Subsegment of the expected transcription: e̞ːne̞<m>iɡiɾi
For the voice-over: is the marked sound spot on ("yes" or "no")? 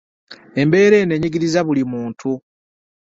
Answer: no